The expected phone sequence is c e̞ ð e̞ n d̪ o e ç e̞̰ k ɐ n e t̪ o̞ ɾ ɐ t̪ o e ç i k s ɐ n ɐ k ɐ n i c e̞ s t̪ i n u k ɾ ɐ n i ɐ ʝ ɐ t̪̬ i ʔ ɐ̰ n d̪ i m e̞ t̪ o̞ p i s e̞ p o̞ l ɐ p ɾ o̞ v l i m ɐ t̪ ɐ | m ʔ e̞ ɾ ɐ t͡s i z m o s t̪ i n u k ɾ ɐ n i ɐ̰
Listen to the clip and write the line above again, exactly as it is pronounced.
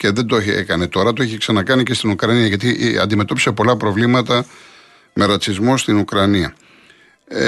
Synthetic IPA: c e̞ ð e̞ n d̪ o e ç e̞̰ k ɐ n e t̪ o̞ ɾ ɐ t̪ o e ç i k s ɐ n ɐ k ɐ n i c e̞ s t̪ i n u k ɾ ɐ n i ɐ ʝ ɐ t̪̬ i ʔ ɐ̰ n d̪ i m e̞ t̪ o̞ p i s e̞ p o̞ l ɐ p ɾ o̞ v l i m ɐ t̪ ɐ | m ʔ e̞ ɾ ɐ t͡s i z m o s t̪ i n u k ɾ ɐ n i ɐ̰